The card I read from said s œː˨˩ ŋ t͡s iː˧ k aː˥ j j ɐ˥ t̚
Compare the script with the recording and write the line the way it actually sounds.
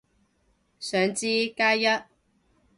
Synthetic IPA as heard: s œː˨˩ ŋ t͡s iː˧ k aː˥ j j ɐ˥ t̚